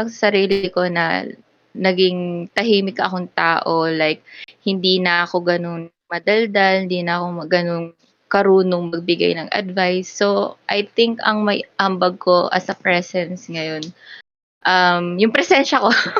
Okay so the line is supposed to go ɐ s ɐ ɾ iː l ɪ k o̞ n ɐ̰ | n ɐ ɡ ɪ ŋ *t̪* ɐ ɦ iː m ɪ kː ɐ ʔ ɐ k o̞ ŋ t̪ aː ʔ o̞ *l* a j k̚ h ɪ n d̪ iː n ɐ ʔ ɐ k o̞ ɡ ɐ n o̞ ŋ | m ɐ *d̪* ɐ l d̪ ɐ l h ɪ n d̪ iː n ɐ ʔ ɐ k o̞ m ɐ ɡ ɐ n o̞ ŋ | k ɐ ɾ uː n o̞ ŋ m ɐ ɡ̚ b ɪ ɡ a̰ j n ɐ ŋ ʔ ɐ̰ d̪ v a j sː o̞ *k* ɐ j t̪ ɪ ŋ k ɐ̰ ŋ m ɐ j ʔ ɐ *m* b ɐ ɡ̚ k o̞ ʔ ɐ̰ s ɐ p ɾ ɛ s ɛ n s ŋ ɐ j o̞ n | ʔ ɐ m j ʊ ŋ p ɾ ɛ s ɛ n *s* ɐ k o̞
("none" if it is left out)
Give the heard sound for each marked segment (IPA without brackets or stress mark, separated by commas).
t̪, l, d̪, ʔ, m, ʃ